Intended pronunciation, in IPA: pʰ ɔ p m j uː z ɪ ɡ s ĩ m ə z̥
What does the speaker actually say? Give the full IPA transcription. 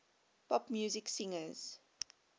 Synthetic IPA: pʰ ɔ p m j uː z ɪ k s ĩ ŋ ə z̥

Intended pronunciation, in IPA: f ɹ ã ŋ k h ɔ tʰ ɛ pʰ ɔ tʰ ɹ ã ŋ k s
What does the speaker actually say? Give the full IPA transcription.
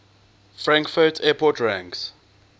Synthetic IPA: f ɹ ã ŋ k f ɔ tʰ ɛ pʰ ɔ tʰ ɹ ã ŋ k s

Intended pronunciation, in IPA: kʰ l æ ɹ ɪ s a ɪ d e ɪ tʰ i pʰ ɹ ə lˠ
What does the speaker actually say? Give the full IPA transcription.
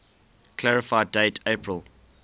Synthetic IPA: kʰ l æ ɹ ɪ f a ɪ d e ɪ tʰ e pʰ ɹ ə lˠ

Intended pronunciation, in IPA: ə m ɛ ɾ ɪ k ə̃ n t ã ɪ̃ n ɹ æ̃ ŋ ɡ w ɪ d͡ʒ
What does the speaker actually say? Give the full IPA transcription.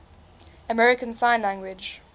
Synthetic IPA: ə m ɛ ɹ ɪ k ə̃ n s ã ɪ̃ n l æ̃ ŋ ɡ w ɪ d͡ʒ

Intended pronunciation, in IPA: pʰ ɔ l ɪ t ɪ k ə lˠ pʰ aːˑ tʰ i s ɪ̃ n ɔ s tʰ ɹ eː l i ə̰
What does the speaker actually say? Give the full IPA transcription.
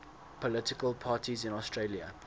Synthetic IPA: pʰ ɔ l ɪ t ɪ k ə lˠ pʰ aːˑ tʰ i z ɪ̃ n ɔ s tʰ ɹ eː l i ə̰

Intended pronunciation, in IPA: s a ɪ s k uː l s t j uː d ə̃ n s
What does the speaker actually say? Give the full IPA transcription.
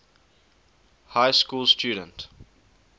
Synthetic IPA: h a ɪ s k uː l s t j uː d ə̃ n t

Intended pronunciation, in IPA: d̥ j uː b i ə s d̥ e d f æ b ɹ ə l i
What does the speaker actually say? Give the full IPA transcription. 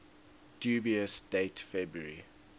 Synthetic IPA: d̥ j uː b i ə s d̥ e t f ɛ b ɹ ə ɹ i

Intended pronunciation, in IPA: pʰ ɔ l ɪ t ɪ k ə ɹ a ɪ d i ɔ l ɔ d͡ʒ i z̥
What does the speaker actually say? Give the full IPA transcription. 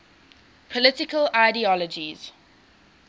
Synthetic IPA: pʰ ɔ l ɪ t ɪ k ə l a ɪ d i ɔ l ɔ d͡ʒ i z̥

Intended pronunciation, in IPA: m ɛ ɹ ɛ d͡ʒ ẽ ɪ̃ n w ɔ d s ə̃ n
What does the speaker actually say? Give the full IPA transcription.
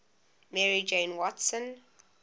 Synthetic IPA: m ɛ ɹ i d͡ʒ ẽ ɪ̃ n w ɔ t s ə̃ n

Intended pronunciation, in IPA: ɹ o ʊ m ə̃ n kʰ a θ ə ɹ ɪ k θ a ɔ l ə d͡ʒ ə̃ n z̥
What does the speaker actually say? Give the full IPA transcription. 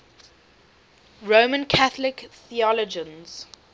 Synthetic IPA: ɹ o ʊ m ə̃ n kʰ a θ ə l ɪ k θ i ɔ l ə d͡ʒ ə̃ n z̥

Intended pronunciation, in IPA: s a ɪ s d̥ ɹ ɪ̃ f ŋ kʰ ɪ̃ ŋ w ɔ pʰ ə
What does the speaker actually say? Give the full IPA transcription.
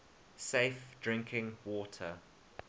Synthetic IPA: s e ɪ f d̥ ɹ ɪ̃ ŋ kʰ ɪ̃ ŋ w ɔ tʰ ə

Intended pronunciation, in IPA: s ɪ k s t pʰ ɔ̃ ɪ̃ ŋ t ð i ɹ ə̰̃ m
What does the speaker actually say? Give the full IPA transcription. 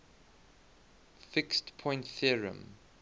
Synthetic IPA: f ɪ k s t pʰ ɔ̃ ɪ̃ n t θ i ɹ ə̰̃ m

